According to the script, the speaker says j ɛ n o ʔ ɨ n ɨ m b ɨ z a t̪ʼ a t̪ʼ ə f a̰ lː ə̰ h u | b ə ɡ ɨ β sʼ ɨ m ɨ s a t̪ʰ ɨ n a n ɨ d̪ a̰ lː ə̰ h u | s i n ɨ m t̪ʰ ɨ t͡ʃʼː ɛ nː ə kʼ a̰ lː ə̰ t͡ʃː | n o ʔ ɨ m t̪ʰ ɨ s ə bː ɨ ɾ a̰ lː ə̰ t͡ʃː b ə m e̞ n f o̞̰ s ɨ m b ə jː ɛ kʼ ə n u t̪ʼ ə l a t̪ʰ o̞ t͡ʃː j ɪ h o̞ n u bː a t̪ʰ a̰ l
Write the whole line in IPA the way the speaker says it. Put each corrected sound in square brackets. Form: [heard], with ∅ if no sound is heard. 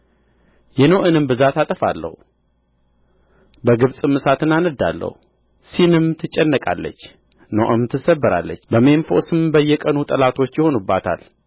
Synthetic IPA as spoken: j ɛ n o ʔ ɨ n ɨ m b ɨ z a [t̪] a t̪ʼ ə f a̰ lː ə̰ h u | b ə ɡ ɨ β sʼ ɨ m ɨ s a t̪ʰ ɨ n a n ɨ d̪ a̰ lː ə̰ h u | s i n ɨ m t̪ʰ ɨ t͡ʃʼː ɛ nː ə kʼ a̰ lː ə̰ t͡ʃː | n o ʔ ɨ m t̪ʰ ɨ s ə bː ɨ ɾ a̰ lː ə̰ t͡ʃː b ə m e̞ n f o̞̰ s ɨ m b ə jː ɛ kʼ ə n u t̪ʼ ə l a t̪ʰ o̞ t͡ʃː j ɪ h o̞ n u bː a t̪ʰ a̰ l